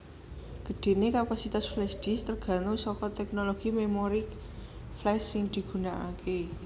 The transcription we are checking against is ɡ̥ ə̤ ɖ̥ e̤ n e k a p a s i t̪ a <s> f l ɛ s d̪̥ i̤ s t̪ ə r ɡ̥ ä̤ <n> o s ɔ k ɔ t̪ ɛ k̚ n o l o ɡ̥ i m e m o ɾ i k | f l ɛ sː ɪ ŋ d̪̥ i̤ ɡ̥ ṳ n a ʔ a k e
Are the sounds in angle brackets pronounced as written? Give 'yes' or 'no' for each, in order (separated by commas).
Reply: yes, yes